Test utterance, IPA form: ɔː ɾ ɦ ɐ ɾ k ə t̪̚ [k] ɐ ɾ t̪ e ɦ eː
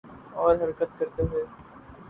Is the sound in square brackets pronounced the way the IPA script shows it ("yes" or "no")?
yes